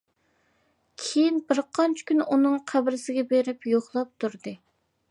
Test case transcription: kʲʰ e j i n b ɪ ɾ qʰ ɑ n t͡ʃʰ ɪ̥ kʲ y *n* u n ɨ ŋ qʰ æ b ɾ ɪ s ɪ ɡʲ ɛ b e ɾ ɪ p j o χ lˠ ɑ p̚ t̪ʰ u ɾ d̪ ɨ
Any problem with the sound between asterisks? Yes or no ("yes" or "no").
no